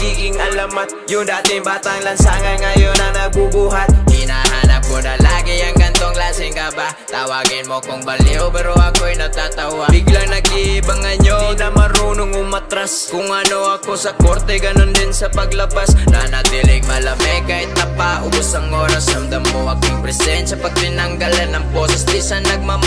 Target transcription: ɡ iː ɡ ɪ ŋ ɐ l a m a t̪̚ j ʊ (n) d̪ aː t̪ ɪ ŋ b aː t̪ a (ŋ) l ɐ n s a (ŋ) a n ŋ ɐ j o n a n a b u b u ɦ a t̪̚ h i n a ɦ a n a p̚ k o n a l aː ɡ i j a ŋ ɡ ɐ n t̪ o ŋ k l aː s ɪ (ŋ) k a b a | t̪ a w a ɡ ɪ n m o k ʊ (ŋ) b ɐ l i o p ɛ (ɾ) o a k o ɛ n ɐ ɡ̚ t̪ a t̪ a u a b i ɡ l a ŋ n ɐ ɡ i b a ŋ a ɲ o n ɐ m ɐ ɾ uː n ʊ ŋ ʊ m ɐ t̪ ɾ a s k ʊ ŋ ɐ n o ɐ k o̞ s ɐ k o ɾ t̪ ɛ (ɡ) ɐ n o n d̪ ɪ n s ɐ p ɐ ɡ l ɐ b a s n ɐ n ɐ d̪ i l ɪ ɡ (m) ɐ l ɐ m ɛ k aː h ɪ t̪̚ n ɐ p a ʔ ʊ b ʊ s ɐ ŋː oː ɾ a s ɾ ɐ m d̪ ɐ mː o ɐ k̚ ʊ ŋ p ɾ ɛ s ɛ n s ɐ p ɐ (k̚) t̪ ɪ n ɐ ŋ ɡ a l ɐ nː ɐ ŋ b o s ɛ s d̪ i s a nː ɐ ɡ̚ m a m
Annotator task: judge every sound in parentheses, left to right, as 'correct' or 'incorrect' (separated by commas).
incorrect, correct, correct, correct, correct, correct, correct, correct, incorrect